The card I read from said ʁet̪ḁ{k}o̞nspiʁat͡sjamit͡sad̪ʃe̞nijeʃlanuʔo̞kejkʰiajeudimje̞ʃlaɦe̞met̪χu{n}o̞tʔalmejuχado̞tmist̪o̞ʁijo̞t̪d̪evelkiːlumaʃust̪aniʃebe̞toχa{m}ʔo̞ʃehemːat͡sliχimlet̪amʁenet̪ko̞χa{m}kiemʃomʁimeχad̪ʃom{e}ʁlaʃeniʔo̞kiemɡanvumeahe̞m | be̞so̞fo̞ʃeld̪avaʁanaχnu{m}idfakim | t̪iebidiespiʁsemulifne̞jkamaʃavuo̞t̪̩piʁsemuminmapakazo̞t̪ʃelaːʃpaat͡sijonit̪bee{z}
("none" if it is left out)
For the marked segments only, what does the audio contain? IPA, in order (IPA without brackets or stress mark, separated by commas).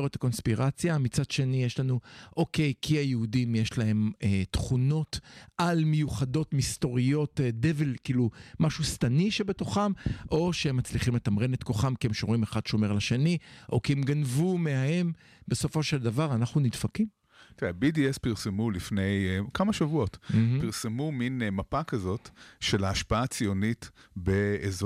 k, n, m, m, e, n, z